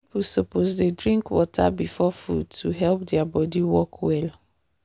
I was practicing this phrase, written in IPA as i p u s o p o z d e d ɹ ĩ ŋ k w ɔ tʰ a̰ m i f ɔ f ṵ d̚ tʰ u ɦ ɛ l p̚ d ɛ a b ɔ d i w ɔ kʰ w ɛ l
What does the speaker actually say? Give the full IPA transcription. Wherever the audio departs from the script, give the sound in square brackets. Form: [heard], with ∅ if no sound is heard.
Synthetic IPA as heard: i p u s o p o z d e d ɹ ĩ ŋ k w ɔ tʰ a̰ [b] i f ɔ f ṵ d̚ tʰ u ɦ ɛ l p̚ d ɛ a b ɔ d i w ɔ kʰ w ɛ l